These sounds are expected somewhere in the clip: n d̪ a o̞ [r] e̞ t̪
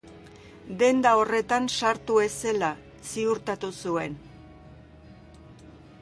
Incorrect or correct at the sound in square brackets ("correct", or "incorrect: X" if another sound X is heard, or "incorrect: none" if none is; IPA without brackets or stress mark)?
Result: correct